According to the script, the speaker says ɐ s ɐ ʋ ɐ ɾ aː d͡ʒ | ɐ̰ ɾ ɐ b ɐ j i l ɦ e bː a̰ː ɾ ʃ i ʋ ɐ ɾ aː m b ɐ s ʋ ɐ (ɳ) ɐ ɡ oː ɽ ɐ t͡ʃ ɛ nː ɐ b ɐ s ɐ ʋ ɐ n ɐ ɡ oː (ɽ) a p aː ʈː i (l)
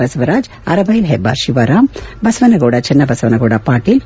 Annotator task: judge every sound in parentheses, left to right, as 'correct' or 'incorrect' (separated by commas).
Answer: incorrect, correct, correct